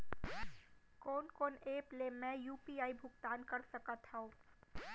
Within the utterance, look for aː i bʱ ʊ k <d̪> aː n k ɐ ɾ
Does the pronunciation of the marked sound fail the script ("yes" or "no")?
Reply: yes